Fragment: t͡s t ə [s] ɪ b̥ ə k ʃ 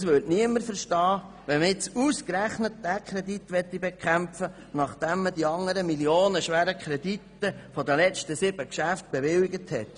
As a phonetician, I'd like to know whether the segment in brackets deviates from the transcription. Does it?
no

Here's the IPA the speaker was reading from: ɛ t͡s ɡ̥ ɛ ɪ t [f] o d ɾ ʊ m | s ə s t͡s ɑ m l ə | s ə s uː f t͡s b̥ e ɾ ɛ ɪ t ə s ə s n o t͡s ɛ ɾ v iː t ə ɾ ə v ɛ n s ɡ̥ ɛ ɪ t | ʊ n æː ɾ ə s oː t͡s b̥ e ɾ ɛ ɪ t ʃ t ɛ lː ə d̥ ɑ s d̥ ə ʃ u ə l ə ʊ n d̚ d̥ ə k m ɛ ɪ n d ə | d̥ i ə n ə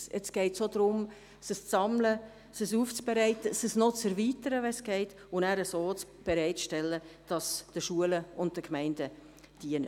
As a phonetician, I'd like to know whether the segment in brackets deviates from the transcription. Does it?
yes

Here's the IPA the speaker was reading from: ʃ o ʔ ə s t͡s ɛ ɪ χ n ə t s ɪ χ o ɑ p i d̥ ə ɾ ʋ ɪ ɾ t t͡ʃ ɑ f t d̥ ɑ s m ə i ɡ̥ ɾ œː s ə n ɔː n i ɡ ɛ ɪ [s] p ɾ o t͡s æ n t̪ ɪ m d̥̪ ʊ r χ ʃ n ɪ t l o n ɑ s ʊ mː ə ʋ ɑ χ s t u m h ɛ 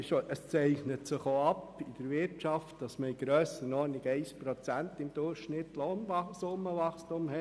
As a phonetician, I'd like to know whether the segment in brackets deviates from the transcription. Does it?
no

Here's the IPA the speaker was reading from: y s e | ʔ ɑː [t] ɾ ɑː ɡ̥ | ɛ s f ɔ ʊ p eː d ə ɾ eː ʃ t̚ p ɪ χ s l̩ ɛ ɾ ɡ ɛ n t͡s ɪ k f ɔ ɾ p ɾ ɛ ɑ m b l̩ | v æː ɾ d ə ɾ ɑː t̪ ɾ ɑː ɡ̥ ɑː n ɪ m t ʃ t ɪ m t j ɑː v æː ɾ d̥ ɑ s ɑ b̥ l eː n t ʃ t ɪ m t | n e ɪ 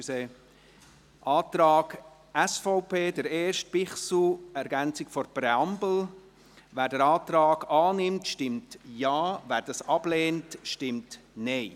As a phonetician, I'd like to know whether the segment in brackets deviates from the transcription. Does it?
no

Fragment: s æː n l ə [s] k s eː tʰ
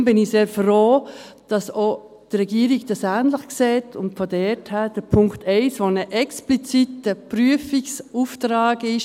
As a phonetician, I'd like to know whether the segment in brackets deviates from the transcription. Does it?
yes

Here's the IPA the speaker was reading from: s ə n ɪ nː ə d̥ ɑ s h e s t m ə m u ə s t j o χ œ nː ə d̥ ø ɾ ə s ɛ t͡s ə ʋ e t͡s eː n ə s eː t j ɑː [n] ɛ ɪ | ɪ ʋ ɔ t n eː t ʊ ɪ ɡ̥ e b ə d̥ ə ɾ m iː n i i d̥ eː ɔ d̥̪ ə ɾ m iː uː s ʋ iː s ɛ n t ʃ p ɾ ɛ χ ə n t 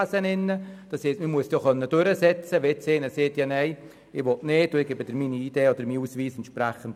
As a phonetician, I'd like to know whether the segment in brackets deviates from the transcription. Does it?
no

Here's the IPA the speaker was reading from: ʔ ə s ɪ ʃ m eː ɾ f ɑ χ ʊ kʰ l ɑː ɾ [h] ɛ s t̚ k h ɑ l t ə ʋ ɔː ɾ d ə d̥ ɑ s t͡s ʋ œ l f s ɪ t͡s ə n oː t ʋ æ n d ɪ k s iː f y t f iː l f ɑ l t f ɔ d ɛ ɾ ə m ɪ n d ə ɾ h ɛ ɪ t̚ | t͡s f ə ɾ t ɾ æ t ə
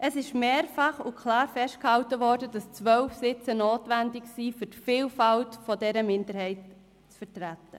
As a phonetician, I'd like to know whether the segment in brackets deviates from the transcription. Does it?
yes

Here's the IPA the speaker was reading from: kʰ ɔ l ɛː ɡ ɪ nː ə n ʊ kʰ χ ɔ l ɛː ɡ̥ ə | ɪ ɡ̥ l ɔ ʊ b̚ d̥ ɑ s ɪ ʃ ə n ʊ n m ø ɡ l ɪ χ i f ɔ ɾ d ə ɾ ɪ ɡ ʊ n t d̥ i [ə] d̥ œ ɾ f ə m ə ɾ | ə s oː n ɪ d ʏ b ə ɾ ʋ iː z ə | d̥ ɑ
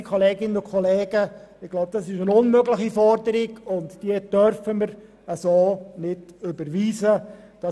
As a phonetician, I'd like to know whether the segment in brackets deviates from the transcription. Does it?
no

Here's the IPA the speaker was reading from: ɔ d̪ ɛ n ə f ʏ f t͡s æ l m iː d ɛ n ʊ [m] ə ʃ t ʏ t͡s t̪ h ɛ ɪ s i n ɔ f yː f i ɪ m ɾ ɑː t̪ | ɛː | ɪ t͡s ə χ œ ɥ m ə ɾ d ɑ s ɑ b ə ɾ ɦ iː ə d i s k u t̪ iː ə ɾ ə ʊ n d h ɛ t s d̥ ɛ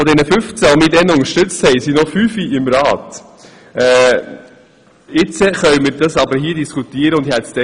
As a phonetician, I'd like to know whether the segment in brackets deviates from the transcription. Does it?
yes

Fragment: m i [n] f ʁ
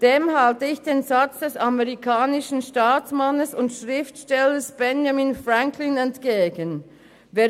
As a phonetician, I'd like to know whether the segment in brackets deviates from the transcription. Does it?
no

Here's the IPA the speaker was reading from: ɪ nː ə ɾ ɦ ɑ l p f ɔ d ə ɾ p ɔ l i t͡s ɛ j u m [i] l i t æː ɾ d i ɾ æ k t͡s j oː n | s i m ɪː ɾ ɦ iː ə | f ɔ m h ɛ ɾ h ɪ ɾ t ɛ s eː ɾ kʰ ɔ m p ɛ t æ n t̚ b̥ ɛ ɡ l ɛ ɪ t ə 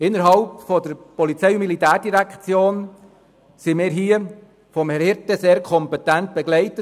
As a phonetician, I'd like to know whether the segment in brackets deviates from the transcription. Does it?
no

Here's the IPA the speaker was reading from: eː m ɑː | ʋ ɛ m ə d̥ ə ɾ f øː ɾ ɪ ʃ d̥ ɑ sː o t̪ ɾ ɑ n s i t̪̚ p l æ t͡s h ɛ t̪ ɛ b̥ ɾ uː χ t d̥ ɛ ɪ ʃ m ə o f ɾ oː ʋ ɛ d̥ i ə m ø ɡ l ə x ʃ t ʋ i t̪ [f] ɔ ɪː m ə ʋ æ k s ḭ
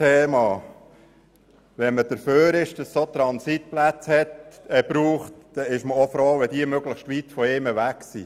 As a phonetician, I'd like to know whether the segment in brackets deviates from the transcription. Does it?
no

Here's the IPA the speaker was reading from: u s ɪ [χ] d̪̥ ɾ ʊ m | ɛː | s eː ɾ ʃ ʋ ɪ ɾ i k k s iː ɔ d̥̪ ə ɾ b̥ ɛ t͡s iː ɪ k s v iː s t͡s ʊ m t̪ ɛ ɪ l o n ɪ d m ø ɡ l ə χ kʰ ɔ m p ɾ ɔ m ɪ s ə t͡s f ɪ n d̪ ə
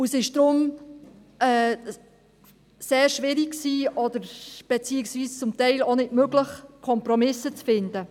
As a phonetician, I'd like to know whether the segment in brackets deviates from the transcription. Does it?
yes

